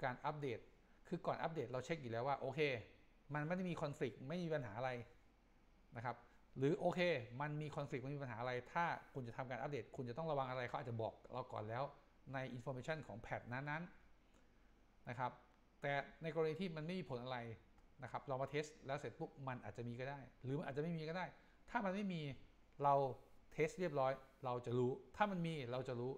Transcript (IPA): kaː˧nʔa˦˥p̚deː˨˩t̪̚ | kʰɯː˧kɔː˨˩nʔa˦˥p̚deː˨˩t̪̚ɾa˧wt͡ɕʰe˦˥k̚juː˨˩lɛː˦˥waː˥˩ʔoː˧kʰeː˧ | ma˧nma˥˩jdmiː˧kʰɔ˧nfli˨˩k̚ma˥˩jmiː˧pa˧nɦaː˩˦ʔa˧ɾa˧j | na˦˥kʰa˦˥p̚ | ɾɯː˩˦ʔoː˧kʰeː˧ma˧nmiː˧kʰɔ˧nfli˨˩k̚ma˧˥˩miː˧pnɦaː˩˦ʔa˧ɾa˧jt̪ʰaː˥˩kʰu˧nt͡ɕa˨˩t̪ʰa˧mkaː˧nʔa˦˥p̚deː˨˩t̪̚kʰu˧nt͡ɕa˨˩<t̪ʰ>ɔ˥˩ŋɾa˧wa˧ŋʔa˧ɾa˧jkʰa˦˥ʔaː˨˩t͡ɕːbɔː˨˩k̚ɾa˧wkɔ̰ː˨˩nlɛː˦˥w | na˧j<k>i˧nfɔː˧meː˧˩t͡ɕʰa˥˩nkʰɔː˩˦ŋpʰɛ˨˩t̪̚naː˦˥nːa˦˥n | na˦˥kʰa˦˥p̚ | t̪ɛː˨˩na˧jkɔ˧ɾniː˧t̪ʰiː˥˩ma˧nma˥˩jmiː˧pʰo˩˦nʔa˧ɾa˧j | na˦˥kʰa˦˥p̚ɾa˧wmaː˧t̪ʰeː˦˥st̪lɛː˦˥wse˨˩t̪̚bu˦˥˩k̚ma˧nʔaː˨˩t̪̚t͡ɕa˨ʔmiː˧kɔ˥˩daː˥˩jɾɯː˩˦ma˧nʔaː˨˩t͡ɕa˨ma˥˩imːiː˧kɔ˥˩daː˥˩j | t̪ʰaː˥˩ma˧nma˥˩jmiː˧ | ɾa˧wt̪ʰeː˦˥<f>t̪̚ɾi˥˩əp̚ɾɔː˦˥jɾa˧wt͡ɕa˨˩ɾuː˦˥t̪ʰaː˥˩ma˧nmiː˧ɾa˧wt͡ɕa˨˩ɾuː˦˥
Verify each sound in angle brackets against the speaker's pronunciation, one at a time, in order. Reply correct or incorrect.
incorrect: t̪, incorrect: ʔ, incorrect: s

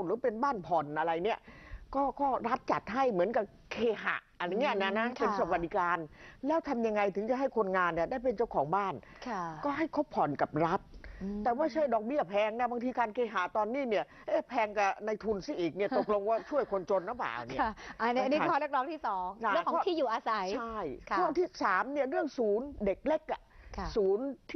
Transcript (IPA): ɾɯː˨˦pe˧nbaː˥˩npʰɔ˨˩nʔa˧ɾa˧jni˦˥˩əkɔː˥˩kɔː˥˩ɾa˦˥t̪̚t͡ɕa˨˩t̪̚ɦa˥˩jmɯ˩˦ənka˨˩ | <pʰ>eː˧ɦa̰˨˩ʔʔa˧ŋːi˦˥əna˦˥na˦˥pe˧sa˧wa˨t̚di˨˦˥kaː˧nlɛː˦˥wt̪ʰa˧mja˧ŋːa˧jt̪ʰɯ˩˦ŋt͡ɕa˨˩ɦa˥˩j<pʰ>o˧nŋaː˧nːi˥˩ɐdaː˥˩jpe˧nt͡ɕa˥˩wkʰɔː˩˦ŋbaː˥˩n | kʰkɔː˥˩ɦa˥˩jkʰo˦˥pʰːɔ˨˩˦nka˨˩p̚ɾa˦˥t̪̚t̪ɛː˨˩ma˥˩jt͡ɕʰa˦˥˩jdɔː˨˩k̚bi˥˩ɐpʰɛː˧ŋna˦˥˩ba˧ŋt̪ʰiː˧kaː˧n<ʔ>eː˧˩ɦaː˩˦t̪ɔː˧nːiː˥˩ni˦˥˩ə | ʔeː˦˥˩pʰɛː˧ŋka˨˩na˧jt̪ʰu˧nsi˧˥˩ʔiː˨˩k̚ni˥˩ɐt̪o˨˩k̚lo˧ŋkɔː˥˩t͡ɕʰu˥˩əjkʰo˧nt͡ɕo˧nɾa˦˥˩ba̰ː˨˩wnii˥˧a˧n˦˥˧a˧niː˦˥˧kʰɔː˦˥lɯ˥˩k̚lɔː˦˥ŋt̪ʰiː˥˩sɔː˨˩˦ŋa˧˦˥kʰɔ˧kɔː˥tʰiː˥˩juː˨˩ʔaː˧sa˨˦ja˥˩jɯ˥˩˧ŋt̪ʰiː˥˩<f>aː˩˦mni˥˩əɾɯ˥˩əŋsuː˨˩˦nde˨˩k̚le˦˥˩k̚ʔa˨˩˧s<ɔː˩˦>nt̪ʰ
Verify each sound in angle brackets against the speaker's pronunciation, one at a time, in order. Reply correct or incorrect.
incorrect: kʰ, incorrect: kʰ, incorrect: k, incorrect: s, incorrect: uː˩˦

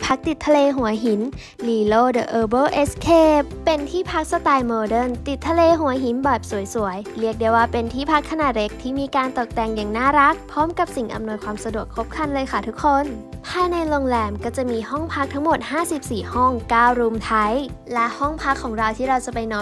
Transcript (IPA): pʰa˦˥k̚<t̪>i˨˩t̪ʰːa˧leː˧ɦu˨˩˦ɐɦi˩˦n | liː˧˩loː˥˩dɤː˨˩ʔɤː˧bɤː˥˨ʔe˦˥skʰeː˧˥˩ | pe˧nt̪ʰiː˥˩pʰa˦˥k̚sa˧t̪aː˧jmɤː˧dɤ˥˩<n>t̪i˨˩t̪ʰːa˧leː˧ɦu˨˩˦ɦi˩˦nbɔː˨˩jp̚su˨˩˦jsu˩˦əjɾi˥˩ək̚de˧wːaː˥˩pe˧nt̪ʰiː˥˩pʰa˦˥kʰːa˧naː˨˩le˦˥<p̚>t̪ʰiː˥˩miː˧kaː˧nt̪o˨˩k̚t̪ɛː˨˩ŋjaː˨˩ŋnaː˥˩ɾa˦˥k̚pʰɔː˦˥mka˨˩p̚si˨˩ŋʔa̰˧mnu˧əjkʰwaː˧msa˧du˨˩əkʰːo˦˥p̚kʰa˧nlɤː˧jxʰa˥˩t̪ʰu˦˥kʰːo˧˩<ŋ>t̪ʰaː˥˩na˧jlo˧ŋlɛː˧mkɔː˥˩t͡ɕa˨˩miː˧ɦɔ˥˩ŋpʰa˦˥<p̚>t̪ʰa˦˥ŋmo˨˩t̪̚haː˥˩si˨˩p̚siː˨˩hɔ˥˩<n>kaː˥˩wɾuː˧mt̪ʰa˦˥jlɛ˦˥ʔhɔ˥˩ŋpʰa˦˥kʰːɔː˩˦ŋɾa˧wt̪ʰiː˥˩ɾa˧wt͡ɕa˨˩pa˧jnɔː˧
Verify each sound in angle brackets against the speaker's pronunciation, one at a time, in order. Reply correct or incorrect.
correct, correct, incorrect: k̚, incorrect: n, incorrect: k̚, incorrect: ŋ

